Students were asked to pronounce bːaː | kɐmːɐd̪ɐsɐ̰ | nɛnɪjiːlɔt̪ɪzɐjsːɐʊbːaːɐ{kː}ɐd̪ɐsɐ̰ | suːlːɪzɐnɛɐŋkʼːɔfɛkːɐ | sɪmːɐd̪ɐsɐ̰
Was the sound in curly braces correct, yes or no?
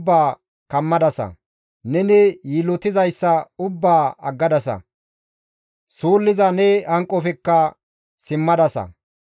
no